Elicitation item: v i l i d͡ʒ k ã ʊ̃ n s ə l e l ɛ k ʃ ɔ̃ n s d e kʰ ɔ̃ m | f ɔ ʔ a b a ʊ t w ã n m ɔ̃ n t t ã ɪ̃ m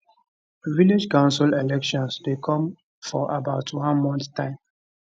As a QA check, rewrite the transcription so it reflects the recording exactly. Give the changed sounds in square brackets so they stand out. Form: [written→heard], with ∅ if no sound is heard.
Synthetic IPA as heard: v i l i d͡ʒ k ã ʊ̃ n s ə l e l ɛ k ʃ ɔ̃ n s d e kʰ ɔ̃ m | f ɔ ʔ a b a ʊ t w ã n m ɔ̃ n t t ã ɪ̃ m